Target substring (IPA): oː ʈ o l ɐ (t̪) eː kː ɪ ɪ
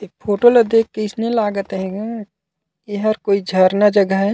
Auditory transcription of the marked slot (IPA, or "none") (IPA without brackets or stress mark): d̪